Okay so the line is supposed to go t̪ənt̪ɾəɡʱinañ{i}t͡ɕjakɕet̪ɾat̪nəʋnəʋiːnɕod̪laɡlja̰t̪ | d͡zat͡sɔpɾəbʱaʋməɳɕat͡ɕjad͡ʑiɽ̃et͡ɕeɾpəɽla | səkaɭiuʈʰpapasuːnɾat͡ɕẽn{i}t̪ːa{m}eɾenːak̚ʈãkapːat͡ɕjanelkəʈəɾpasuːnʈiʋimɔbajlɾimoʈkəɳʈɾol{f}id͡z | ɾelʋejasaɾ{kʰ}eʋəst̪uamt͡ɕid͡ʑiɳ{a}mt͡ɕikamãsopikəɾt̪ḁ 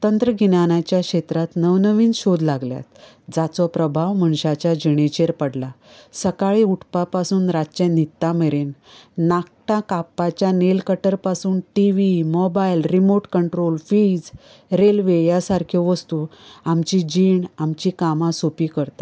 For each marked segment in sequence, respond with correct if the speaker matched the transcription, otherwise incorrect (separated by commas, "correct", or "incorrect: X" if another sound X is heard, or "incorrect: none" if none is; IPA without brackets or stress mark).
incorrect: a, correct, correct, correct, correct, correct